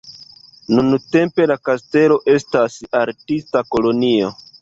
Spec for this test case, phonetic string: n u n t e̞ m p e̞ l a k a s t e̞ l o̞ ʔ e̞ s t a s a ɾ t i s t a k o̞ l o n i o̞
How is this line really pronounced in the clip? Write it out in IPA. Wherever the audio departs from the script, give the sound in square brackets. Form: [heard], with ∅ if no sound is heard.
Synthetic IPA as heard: n u n t e̞ m p e̞ l a k a s t e̞ l o̞ ʔ e̞ s t a s a ɾ t i s t a k o̞ l o n i o̞